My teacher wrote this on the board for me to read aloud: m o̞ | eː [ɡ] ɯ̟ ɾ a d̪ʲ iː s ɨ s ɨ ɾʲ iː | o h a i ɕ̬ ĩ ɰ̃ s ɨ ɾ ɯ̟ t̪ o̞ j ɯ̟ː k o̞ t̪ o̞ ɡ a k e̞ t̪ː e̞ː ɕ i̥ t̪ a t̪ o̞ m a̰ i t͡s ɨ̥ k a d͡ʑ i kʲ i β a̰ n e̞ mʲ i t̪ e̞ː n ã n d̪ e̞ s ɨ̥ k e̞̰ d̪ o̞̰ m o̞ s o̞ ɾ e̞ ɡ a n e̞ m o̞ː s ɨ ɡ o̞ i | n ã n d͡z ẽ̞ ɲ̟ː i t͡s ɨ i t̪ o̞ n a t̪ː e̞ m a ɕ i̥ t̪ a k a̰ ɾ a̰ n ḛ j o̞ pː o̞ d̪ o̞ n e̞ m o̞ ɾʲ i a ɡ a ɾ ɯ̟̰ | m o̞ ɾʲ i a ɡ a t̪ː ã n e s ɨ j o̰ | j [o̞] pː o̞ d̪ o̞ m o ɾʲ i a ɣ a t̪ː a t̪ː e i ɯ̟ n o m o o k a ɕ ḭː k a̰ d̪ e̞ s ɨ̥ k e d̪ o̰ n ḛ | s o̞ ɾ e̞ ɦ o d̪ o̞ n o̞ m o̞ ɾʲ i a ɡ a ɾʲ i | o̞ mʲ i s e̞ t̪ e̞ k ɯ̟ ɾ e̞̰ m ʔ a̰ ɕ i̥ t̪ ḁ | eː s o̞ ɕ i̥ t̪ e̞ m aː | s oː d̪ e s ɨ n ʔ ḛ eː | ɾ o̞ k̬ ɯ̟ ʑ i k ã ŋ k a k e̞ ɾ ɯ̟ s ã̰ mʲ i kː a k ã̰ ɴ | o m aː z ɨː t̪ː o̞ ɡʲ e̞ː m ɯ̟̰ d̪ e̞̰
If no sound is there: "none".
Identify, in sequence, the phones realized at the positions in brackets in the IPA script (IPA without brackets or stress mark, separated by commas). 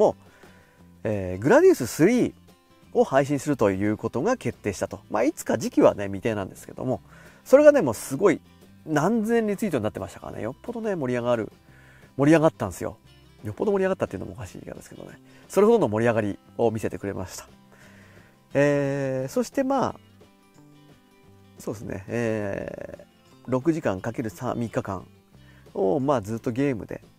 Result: ɡ, o̞